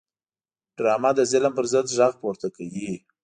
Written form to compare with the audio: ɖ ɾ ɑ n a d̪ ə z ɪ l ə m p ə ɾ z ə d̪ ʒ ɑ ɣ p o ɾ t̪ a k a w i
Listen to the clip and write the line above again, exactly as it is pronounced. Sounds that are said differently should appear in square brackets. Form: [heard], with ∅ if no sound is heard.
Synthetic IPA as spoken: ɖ ɾ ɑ [m] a d̪ ə z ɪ l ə m p ə ɾ z ə d̪ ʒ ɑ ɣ p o ɾ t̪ a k a w i